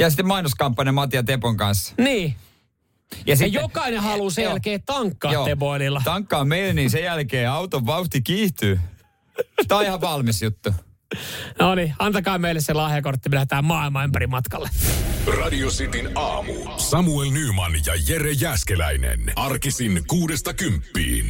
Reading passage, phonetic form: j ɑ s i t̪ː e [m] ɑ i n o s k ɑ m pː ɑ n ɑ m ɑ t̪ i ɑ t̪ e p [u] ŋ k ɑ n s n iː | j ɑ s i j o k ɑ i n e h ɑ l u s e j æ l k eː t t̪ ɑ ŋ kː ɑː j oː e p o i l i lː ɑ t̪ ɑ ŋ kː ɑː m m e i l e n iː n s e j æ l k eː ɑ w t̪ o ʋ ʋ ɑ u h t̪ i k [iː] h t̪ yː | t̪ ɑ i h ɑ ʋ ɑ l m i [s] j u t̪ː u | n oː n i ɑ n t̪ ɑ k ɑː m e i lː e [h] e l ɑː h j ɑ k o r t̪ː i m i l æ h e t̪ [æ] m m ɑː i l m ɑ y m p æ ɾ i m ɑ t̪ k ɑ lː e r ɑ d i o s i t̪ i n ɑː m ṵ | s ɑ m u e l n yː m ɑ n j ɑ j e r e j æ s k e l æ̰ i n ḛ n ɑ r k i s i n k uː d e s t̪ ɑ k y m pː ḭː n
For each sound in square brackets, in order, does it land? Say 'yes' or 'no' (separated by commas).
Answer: yes, no, yes, yes, no, no